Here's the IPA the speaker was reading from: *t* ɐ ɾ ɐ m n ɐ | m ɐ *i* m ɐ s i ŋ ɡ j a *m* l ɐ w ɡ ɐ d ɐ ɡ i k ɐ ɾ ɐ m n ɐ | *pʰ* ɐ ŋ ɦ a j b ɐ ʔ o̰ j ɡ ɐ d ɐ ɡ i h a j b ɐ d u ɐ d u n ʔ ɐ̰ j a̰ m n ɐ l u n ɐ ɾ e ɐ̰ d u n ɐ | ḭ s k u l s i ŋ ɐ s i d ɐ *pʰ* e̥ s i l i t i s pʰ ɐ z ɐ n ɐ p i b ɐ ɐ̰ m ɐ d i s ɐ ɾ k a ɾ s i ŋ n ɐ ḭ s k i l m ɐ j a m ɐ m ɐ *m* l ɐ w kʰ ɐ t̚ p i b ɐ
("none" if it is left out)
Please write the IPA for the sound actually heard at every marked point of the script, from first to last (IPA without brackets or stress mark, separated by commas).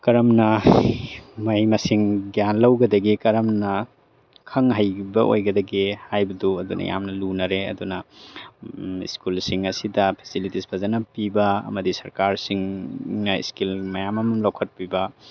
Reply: k, j, n, kʰ, pʰ, m